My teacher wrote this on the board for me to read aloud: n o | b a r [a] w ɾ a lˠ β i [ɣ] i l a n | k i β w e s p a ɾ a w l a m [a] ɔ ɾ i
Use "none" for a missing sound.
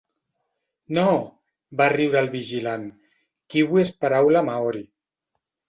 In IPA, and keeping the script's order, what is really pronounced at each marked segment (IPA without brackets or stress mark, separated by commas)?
i, ʒ, a